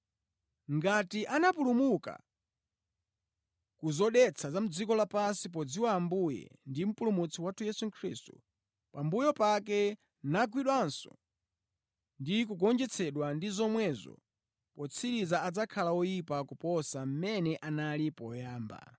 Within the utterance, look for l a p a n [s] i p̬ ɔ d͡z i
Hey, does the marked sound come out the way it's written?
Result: yes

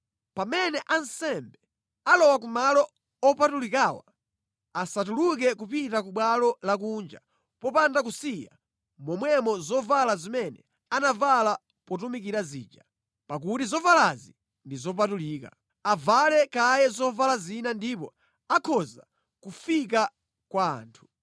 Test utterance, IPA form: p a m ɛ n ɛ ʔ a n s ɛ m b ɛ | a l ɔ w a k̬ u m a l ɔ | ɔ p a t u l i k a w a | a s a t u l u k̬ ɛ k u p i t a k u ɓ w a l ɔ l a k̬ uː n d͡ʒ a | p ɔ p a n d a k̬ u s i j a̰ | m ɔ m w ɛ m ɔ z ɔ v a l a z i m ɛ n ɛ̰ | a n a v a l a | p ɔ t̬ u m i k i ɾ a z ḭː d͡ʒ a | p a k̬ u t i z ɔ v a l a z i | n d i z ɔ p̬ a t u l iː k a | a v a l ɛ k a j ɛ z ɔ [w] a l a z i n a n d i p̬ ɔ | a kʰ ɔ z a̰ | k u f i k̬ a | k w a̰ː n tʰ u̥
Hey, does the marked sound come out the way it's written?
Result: no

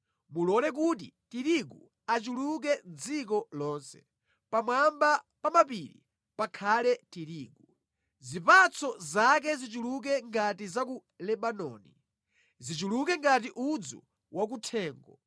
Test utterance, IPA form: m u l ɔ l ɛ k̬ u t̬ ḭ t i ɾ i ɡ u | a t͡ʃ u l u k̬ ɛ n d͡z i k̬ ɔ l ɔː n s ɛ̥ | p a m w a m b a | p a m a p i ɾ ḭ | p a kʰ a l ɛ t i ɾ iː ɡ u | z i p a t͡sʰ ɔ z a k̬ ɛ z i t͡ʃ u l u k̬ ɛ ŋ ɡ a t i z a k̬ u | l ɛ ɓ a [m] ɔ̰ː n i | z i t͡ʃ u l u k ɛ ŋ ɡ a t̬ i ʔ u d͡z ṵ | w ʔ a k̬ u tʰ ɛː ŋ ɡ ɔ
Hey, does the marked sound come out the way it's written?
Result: no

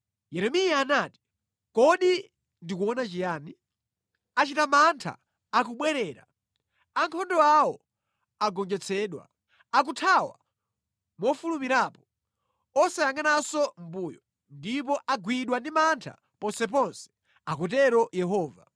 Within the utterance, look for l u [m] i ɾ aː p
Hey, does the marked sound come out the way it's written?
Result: yes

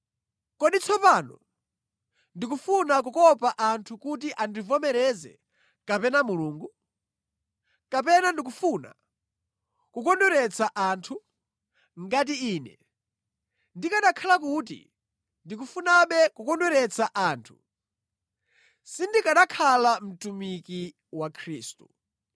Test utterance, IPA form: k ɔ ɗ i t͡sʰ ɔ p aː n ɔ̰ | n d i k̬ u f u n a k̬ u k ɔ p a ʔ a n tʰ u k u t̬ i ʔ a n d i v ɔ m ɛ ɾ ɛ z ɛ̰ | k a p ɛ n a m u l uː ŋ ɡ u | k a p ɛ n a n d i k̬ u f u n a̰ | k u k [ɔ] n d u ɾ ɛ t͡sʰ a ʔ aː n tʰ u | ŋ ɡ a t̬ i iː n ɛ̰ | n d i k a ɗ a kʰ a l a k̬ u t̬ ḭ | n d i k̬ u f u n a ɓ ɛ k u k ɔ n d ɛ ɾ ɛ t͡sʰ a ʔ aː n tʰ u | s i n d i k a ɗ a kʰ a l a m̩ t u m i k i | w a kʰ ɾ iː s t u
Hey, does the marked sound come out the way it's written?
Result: yes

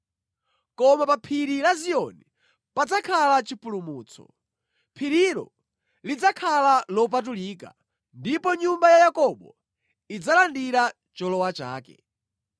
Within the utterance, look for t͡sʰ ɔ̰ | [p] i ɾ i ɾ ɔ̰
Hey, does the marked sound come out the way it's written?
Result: no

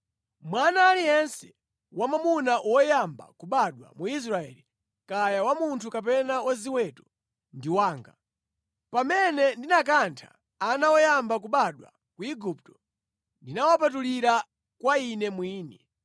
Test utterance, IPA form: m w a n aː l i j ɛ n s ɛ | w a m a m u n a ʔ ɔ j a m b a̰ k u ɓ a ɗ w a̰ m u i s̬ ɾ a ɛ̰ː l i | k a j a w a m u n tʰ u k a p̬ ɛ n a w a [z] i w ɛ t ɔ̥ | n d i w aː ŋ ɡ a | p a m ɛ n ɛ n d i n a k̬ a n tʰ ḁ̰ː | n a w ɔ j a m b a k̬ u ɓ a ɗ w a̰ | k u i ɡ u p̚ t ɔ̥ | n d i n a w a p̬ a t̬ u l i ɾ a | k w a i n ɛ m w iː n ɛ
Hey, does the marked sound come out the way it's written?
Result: yes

